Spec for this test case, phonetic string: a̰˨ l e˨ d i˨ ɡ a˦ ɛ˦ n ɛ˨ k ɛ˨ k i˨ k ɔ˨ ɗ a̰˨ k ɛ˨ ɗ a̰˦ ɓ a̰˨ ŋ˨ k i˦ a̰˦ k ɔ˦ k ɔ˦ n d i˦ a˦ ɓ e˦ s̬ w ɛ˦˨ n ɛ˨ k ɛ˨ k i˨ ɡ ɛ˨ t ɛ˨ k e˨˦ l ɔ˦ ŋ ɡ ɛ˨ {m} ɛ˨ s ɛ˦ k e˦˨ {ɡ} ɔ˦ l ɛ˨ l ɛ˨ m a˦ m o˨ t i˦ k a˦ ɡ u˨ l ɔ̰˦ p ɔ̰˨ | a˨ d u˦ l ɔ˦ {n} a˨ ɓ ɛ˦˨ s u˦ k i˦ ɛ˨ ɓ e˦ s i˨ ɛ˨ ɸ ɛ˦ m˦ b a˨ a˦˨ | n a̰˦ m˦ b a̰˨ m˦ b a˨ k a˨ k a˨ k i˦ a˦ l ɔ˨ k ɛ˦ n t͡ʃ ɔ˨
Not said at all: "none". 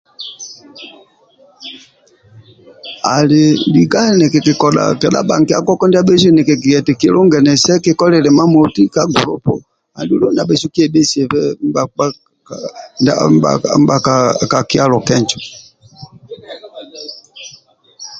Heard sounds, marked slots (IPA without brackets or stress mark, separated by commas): n, k, n